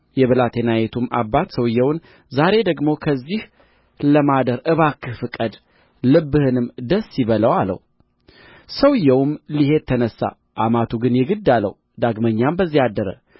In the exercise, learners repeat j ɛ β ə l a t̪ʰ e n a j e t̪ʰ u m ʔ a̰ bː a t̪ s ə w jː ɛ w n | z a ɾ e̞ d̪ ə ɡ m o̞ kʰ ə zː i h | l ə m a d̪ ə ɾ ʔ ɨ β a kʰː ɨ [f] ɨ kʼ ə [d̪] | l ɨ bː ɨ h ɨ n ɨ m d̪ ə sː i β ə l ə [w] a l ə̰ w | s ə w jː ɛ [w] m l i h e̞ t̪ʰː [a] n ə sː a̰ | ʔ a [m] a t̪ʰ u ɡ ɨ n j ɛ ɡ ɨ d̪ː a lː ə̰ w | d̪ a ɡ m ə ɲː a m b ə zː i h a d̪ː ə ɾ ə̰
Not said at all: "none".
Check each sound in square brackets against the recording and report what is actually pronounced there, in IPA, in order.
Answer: f, d̪, w, w, ə, m

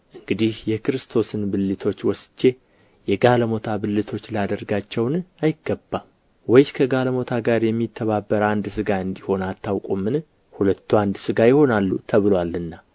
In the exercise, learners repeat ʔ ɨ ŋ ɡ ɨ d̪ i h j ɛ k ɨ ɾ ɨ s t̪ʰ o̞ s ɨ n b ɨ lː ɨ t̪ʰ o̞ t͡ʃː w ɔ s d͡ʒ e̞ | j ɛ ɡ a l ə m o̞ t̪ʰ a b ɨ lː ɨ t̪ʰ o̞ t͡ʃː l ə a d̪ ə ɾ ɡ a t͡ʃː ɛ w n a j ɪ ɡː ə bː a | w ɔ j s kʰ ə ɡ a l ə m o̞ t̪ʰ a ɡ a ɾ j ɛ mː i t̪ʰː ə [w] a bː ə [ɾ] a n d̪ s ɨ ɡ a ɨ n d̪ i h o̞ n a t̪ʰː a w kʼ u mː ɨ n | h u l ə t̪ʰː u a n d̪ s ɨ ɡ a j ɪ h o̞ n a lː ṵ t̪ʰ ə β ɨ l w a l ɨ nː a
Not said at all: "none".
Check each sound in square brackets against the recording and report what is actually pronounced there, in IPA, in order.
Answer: β, ɾ

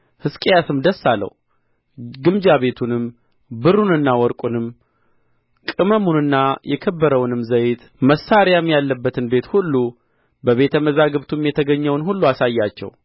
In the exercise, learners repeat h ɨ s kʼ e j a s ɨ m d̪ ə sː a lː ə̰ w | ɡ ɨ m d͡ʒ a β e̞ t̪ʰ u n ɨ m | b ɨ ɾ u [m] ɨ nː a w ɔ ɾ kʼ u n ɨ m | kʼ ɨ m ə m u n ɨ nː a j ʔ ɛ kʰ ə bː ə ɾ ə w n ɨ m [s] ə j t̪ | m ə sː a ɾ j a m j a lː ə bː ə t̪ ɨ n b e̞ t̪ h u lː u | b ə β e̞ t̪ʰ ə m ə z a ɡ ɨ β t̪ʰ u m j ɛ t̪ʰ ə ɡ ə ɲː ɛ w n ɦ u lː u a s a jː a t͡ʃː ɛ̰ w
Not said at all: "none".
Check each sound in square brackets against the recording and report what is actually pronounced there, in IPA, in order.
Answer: n, z

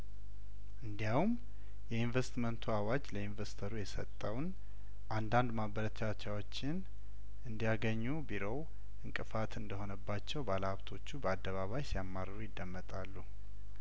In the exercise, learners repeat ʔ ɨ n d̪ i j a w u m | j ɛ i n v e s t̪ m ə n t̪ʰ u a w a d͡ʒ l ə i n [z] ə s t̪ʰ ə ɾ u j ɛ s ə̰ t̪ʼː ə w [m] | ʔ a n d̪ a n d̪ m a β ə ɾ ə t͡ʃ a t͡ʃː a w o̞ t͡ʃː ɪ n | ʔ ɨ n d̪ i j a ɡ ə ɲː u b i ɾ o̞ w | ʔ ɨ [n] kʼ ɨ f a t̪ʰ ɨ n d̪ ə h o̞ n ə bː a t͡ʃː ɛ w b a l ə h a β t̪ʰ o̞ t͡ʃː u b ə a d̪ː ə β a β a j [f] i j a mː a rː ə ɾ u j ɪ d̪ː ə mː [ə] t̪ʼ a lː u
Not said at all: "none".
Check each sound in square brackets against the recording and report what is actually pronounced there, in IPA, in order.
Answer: v, n, ŋ, s, ə

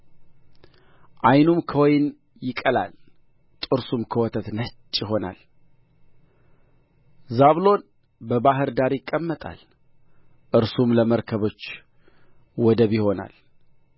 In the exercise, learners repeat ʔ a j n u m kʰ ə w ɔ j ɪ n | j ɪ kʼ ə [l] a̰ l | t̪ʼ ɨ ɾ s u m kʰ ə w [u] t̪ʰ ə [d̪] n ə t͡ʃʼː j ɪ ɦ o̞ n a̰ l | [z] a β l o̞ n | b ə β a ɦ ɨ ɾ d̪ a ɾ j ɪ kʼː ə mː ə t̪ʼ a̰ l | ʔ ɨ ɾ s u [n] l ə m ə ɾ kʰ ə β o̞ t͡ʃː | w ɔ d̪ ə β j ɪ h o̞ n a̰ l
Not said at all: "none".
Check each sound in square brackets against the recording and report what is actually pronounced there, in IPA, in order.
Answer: l, ɔ, t̪, z, m

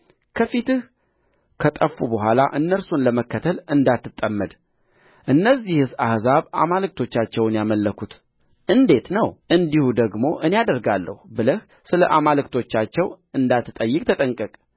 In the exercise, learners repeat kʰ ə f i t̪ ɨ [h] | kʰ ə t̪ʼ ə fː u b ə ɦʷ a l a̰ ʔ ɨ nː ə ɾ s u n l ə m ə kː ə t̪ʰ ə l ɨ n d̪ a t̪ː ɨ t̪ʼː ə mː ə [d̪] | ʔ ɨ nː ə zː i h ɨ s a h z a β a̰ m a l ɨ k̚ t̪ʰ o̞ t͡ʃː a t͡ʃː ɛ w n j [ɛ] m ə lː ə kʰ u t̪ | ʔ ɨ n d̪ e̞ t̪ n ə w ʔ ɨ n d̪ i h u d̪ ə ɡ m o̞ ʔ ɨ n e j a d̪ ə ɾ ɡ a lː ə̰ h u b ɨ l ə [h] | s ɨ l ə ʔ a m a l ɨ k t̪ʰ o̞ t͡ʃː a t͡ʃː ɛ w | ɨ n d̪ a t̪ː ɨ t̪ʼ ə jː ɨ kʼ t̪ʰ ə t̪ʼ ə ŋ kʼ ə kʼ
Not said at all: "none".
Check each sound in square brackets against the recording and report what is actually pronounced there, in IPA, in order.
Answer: h, d̪, a, h

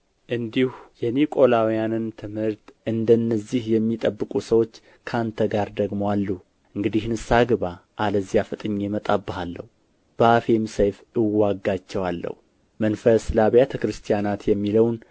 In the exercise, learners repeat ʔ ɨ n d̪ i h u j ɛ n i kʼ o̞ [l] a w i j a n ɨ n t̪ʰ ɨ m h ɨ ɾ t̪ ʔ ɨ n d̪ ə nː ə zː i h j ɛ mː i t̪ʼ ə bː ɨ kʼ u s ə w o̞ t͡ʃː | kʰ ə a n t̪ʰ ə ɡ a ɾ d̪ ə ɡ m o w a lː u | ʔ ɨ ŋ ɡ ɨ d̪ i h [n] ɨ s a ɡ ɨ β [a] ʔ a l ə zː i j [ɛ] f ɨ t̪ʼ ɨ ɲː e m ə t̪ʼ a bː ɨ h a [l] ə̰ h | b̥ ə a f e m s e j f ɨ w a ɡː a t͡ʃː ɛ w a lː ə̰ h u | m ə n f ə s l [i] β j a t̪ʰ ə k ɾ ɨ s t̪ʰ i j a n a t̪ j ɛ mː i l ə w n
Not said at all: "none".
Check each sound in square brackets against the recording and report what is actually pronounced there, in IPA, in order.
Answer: l, n, a, a, lː, a

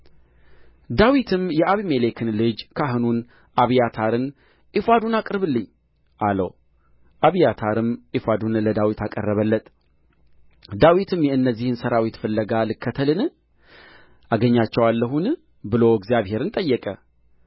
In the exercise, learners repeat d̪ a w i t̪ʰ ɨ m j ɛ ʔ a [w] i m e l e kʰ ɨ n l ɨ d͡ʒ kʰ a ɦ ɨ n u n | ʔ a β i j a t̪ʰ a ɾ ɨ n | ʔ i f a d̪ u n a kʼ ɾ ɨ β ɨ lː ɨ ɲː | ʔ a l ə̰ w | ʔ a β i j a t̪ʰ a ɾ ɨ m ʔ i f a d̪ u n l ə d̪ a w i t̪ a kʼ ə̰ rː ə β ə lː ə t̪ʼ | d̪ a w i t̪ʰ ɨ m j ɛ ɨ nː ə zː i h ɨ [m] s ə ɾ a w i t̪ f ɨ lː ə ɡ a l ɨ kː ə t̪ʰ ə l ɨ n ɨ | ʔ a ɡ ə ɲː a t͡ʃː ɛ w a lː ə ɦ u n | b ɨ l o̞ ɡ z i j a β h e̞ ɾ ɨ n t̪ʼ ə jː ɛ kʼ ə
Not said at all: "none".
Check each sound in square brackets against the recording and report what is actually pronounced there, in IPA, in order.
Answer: β, n

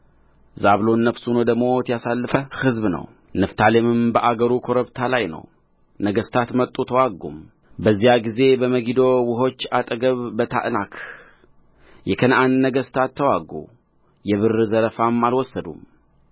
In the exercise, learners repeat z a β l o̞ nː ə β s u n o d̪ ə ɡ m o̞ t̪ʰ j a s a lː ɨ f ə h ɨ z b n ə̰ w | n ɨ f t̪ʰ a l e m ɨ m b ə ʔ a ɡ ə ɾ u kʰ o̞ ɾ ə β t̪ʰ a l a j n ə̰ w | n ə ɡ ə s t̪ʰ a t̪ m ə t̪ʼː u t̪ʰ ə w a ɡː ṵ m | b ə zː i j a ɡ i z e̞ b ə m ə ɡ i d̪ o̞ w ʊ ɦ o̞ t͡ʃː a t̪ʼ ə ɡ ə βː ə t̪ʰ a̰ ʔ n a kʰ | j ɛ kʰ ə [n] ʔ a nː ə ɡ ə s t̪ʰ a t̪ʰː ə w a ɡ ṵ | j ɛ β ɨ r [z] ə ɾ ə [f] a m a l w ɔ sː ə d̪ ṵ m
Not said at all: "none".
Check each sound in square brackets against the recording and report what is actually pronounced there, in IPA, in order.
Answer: n, z, f

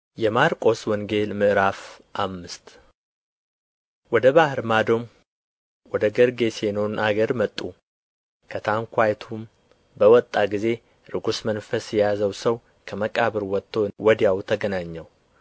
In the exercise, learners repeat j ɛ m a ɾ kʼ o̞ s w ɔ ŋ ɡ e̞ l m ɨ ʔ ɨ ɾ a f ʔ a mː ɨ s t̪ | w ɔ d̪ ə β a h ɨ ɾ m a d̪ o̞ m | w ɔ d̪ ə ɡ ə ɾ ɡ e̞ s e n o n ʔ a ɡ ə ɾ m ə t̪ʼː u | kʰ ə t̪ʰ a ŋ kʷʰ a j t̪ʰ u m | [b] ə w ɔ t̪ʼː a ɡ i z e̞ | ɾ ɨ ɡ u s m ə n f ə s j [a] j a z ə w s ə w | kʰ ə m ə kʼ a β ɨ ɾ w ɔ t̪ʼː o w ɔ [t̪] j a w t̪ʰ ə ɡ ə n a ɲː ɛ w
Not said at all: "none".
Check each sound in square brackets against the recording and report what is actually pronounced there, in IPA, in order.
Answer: b, ɛ, d̪

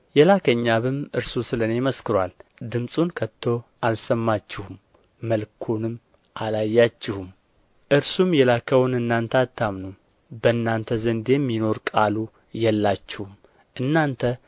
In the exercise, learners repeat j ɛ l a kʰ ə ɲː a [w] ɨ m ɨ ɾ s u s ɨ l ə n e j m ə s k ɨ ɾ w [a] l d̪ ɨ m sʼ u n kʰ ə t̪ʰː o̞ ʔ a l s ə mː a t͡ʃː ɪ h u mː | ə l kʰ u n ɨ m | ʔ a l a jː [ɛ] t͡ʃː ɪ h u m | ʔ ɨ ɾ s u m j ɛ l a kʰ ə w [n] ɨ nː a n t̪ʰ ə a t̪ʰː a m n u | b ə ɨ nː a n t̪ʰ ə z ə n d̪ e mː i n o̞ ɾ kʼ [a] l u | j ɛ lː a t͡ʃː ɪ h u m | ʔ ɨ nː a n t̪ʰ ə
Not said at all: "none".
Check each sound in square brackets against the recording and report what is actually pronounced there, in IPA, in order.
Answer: β, a, a, n, a

